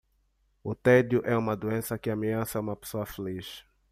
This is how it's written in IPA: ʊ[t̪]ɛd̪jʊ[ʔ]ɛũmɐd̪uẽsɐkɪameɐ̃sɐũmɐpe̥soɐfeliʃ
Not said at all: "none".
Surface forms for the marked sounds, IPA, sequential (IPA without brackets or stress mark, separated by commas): t̪, ʔ